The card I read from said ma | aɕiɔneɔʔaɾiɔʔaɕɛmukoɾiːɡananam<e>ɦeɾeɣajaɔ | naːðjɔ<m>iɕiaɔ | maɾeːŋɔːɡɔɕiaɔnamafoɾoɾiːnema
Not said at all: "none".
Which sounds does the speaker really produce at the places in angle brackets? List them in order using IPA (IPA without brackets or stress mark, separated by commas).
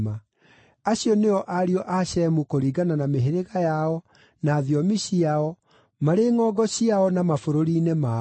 e, m